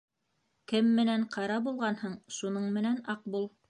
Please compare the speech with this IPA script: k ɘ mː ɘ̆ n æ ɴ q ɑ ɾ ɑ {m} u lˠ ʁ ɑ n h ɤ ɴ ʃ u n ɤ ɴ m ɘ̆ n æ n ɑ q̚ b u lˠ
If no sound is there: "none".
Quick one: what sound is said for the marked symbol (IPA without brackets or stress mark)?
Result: b